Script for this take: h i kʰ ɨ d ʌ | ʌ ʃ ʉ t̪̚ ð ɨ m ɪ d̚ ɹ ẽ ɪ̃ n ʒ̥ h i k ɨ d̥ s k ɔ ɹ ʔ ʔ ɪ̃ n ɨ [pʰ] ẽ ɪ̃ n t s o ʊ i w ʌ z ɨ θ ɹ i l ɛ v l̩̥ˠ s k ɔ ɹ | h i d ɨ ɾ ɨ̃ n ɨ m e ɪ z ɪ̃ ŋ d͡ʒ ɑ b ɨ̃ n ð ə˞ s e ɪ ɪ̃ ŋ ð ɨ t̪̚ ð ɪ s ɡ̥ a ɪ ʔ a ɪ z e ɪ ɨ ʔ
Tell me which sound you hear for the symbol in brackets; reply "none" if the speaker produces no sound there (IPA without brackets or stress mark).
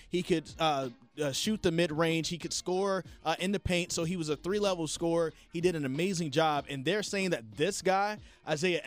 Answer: pʰ